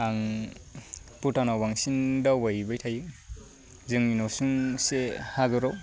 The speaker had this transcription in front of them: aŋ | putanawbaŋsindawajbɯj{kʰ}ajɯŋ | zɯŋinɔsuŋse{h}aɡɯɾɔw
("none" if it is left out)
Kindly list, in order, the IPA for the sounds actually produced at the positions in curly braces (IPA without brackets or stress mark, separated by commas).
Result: tʰ, h